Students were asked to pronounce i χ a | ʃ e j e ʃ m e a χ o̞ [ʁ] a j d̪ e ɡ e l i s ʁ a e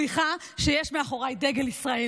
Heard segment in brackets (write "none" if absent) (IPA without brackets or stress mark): ʁ